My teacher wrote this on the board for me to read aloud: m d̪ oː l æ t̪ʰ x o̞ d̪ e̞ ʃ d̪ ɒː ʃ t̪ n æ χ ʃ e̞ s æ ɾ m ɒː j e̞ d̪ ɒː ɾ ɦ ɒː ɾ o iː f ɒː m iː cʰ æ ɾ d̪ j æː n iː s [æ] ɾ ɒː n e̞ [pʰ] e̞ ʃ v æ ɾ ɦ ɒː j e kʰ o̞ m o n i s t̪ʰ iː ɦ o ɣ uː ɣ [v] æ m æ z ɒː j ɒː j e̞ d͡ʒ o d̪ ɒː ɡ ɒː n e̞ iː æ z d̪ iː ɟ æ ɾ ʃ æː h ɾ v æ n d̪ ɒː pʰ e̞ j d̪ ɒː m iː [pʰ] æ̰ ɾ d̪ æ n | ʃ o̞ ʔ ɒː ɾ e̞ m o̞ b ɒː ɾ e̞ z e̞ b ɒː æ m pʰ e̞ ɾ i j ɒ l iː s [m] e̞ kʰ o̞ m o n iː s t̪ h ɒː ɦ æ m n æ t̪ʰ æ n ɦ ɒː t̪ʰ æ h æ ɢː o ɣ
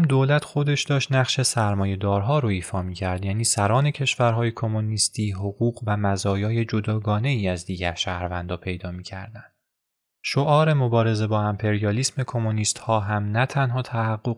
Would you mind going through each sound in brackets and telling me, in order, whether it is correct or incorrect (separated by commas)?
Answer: correct, incorrect, correct, incorrect, correct